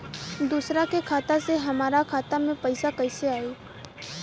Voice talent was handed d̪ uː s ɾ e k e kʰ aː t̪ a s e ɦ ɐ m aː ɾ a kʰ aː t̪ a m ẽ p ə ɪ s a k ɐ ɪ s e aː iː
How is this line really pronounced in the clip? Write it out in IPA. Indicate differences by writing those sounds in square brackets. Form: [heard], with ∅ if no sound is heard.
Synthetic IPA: d̪ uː s ɾ [a] k e kʰ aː t̪ a s e ɦ ɐ m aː ɾ a kʰ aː t̪ a m ẽ p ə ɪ s a k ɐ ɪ s e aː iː